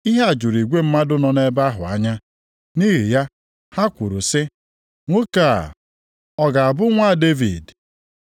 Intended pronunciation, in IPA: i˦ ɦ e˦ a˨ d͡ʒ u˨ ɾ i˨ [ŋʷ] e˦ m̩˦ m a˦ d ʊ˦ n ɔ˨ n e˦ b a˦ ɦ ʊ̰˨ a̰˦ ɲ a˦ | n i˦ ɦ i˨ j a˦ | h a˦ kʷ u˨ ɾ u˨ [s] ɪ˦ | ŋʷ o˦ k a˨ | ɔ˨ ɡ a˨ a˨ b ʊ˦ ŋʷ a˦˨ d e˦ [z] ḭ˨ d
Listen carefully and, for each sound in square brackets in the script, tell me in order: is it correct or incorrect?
incorrect, correct, incorrect

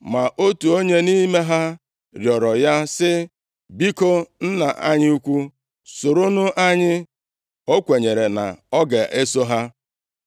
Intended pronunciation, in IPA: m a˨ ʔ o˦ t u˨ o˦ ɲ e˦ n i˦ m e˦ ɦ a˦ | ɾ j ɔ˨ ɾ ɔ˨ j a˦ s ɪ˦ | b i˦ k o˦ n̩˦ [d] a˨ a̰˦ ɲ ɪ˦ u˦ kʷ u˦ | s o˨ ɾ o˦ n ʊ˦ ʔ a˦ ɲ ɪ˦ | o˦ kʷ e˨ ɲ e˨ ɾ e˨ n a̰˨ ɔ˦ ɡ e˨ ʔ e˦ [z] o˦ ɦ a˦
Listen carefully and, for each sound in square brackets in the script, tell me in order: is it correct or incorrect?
incorrect, incorrect

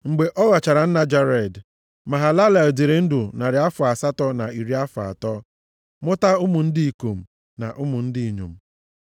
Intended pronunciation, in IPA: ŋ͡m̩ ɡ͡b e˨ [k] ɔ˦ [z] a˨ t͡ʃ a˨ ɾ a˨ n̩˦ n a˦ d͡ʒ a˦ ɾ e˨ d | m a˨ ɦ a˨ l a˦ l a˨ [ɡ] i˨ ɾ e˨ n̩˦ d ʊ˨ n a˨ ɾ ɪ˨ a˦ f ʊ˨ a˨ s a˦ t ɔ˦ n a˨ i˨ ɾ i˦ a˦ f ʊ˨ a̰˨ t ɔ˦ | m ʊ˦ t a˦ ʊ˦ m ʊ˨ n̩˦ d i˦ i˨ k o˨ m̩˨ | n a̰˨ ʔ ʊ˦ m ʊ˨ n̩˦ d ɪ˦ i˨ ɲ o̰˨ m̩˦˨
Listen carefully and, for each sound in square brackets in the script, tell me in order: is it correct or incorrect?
incorrect, incorrect, incorrect

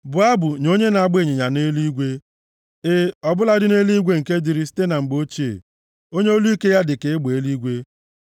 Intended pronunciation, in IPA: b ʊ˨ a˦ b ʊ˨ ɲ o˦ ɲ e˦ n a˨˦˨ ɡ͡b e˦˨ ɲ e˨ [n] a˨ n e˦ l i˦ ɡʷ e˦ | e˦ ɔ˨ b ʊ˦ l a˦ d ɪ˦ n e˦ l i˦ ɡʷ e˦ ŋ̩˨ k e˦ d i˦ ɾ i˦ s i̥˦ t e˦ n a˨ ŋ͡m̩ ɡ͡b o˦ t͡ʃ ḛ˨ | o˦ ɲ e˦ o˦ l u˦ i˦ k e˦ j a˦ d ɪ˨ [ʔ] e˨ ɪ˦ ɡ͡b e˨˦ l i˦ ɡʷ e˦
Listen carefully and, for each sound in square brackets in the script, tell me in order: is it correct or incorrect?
incorrect, incorrect

